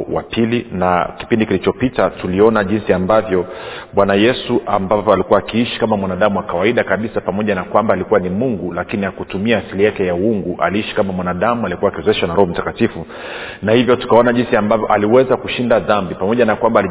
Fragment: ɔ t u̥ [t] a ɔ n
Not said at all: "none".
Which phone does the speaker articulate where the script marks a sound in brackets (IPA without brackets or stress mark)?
k